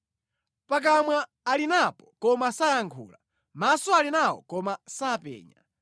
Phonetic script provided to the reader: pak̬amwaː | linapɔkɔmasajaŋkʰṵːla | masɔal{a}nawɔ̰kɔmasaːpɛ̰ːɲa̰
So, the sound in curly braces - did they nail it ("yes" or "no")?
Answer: no